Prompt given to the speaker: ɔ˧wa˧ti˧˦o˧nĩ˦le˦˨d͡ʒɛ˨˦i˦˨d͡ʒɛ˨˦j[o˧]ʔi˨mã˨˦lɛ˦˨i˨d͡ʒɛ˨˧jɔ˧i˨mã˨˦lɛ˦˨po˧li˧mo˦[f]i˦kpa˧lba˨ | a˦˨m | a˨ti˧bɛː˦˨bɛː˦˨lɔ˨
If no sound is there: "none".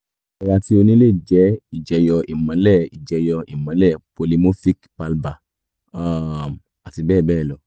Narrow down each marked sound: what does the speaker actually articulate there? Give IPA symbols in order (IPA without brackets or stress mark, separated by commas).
ɔ˧, f